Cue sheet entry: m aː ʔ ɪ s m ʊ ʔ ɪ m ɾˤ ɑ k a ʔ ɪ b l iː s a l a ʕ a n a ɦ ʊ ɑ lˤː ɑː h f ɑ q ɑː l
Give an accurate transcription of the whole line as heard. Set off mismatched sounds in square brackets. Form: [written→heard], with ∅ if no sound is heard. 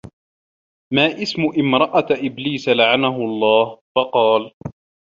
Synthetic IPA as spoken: m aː ʔ ɪ s m ʊ ʔ ɪ m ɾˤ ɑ [k→ʔ] a ʔ ɪ b l iː s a l a ʕ a n a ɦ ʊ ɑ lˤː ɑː h f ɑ q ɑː l